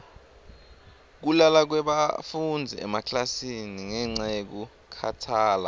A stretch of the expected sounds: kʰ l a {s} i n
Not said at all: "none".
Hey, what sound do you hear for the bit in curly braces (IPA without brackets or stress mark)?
s